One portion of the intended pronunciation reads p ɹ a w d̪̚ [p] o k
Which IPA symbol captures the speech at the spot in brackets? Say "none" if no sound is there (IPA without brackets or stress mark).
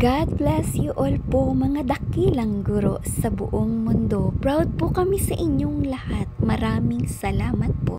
p